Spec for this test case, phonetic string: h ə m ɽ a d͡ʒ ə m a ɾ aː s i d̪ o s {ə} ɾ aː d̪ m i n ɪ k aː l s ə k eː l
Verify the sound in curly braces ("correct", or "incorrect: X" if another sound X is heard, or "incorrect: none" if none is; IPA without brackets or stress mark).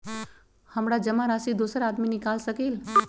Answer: correct